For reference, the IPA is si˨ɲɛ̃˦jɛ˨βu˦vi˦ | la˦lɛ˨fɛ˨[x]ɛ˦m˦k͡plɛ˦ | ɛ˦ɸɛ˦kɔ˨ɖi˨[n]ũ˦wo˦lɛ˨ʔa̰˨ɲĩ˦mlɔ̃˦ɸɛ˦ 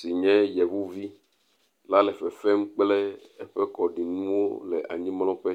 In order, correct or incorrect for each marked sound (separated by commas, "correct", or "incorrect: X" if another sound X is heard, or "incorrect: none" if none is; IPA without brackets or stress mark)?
incorrect: f, correct